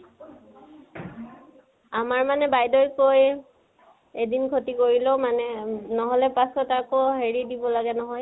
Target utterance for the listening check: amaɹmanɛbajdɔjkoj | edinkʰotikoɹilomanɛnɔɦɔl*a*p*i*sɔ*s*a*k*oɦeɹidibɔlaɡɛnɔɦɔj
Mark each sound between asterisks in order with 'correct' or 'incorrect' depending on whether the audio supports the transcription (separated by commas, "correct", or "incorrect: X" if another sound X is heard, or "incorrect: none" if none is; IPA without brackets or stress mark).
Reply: incorrect: ɛ, incorrect: a, incorrect: t, correct